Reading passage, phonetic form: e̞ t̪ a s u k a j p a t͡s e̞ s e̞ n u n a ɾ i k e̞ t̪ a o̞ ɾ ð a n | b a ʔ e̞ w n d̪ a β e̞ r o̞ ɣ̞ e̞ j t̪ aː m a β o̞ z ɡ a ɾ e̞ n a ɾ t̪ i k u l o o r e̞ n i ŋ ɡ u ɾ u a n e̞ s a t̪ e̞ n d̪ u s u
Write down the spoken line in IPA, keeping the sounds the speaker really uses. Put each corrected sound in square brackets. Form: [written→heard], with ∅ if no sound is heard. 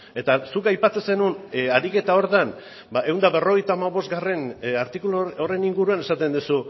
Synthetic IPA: e̞ t̪ a s u k a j p a t͡s e̞ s e̞ n u n a ɾ i k e̞ t̪ a o̞ ɾ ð a n | b a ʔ e̞ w n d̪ a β e̞ r o̞ ɣ̞ e̞ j t̪ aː m a β o̞ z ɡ a [ɾ→r] e̞ n a ɾ t̪ i k u l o o r e̞ n i ŋ ɡ u ɾ u a n e̞ s a t̪ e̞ n d̪ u s u